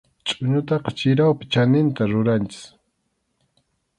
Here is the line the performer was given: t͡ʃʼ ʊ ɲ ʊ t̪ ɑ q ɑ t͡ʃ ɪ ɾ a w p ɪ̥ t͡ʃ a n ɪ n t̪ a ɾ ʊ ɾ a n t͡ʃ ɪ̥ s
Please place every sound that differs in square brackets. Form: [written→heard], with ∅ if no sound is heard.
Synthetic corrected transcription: t͡ʃʼ ʊ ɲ ʊ t̪ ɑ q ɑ t͡ʃ ɪ ɾ a w p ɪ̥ t͡ʃ a n ɪ n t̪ a ɾ ʊ ɾ a n t͡ʃ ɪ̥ s